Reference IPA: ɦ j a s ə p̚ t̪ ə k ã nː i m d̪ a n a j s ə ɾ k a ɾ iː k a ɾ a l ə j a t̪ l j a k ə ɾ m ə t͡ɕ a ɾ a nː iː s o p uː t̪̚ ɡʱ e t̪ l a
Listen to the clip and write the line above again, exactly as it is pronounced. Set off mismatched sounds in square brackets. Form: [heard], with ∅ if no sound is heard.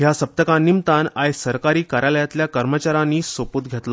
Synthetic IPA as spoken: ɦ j a s ə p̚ t̪ ə k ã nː i m [t̪] a n a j s ə ɾ k a ɾ iː k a ɾ a l ə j a t̪ l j a k ə ɾ m ə t͡ɕ a ɾ a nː iː s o p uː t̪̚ ɡʱ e t̪ l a